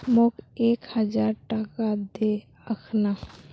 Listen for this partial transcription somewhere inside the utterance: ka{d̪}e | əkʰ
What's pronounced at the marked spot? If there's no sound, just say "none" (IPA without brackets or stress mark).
d̪